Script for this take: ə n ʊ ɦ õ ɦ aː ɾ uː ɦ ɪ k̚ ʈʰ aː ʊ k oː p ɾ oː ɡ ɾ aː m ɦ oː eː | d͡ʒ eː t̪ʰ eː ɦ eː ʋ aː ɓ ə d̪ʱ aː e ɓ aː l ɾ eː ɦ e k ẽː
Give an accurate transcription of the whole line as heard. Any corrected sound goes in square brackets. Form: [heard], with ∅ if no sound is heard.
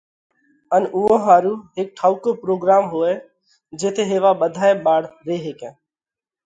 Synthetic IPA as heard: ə n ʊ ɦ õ ɦ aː ɾ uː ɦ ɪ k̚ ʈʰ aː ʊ k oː p ɾ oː ɡ ɾ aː m ɦ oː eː | d͡ʒ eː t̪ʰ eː ɦ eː ʋ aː ɓ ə d̪ʱ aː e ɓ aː [ɽ] ɾ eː ɦ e k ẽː